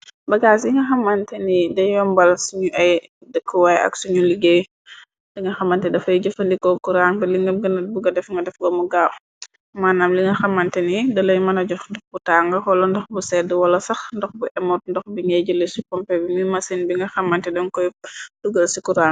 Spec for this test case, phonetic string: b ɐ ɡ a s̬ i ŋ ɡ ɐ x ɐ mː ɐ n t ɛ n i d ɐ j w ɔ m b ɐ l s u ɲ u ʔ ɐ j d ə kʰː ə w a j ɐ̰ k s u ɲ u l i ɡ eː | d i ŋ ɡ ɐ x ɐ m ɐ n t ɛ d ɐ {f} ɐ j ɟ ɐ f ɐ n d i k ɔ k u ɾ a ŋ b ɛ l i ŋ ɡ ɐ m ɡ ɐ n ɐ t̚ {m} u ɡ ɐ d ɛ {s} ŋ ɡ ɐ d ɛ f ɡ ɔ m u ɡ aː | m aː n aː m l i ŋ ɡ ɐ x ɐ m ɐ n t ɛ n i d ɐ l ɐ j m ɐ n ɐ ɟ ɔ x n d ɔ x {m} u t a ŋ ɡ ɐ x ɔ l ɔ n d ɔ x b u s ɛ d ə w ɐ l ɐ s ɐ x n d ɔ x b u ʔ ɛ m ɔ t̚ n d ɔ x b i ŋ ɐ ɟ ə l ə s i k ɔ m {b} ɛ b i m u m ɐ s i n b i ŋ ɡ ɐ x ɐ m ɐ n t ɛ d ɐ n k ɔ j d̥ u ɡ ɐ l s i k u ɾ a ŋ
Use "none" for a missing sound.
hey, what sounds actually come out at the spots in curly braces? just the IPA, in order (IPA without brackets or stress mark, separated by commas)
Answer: f, b, f, b, p